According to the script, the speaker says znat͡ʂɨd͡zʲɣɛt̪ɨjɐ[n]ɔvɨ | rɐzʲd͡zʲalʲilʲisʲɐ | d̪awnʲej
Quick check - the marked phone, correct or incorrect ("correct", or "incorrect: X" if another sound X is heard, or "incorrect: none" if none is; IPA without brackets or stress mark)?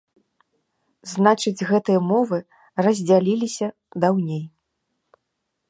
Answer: incorrect: m